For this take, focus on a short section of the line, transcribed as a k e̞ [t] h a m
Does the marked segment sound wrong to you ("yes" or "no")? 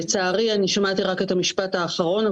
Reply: no